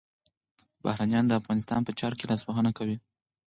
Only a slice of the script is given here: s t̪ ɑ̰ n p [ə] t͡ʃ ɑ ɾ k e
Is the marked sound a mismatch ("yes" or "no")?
no